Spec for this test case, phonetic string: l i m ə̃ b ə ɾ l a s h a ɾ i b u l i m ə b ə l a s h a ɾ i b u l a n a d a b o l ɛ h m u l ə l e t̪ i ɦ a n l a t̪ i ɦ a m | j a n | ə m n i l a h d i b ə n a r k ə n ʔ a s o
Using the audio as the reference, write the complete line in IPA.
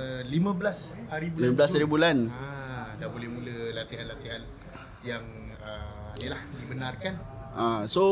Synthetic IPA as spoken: l i m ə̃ b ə l a s h a ɾ i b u l i m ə b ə l a s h a ɾ i b u l a n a d a b o l ɛ h m u l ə l a t̪ i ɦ a n l a t̪ i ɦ a n | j a ŋ | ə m n i l a h d i b ə n a r k a n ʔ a s o